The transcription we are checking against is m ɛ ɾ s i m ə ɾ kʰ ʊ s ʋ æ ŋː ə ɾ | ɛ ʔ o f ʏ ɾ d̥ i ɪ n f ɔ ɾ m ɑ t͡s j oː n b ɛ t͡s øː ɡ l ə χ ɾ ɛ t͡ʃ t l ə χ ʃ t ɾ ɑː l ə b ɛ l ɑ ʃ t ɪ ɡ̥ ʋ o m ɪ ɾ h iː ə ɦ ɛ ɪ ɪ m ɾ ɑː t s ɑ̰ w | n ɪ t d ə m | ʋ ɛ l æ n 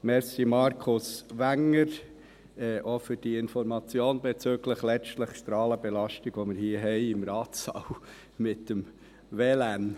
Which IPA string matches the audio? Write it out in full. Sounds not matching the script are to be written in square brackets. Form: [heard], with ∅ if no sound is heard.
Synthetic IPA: m ɛ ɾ s i m [ɑ] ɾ kʰ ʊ s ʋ æ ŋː ə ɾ | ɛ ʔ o f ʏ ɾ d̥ i ɪ n f ɔ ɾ m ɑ t͡s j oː n b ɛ t͡s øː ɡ l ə χ [l] ɛ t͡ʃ t l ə χ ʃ t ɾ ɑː l ə b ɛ l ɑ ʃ t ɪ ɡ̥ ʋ o m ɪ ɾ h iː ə ɦ ɛ ɪ ɪ m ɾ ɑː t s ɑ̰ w | [m] ɪ t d ə m | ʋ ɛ l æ n